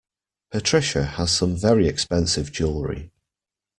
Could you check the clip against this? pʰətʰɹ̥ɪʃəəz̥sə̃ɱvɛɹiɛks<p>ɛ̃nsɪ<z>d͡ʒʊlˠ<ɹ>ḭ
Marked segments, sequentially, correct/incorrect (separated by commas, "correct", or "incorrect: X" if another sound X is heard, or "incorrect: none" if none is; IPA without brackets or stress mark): correct, incorrect: v, correct